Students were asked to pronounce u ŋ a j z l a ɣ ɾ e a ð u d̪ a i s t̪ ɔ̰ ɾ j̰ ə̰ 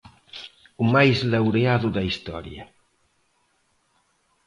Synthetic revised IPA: u m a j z l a w ɾ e a ð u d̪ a i s t̪ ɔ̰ ɾ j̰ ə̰